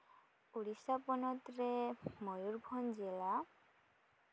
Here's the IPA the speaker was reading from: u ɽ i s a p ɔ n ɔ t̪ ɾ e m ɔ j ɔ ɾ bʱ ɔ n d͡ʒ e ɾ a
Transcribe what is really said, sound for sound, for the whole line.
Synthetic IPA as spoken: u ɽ i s a p ɔ n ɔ t̪ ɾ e m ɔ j u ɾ bʱ ɔ n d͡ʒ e l a